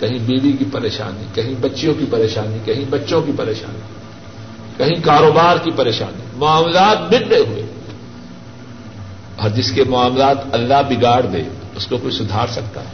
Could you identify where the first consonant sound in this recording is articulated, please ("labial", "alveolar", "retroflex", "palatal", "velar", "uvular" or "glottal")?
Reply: velar